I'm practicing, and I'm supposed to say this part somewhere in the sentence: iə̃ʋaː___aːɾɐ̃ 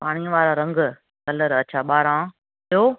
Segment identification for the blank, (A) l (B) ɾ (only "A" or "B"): B